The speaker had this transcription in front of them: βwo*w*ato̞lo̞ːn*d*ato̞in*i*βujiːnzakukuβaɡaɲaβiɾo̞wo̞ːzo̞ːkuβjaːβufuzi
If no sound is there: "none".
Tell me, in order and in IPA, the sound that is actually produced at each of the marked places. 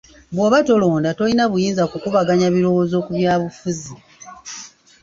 β, d, a

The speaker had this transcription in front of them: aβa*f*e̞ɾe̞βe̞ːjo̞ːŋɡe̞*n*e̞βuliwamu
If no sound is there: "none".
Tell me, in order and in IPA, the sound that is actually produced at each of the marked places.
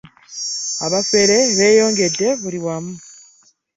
f, d

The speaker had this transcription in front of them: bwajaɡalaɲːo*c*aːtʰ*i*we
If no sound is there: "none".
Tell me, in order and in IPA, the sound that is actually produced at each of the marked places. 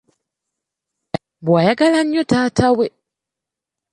t, a

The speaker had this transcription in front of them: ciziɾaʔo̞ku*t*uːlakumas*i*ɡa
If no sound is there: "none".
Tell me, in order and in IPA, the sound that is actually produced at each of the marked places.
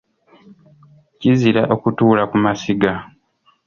t, i

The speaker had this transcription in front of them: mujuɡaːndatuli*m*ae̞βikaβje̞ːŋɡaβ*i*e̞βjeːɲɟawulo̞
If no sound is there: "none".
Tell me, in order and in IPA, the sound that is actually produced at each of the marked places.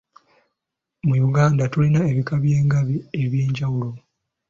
n, i

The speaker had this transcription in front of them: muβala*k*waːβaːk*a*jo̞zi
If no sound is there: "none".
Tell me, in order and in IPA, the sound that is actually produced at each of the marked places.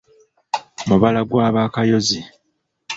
ɡ, a

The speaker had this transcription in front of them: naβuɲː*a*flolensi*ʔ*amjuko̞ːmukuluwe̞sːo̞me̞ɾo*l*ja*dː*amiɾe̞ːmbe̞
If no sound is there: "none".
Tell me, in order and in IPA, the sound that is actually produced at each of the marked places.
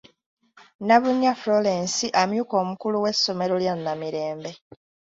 a, ʔ, l, nː

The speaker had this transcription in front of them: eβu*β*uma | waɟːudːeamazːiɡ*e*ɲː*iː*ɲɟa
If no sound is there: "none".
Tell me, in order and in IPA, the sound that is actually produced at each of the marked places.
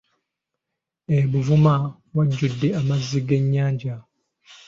v, e, aː

